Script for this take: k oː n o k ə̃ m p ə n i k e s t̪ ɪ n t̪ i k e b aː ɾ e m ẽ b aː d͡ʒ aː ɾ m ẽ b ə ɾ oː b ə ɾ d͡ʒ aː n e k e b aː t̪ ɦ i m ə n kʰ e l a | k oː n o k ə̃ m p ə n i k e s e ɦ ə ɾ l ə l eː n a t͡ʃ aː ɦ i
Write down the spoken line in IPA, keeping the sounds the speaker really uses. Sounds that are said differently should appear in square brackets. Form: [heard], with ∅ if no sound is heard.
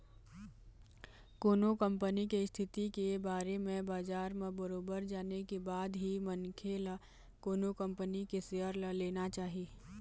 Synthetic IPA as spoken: k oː n o k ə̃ m p ə n i k e s [t̪ʰ] ɪ [∅] t̪ i k e b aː ɾ e m ẽ b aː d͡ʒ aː ɾ m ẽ b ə ɾ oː b ə ɾ d͡ʒ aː n e k e b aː [d̪] ɦ i m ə n kʰ e l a | k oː n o k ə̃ m p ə n i k e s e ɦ ə ɾ l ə l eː n a t͡ʃ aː ɦ i